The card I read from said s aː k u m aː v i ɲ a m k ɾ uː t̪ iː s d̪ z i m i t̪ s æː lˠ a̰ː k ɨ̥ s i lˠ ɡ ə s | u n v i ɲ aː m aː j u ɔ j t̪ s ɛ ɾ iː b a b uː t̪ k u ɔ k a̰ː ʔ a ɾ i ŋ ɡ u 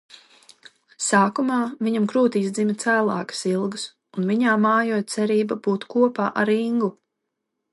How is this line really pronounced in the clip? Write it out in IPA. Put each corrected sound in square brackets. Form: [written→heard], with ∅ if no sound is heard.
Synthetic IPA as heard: s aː k u m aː v i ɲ a m k ɾ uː t̪ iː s d̪ z i m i t̪ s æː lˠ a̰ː k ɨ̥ s i lˠ ɡ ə s | u n v i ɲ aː m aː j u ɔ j t̪ s ɛ ɾ iː b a b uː t̪ k u ɔ [k→p] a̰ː ʔ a ɾ i ŋ ɡ u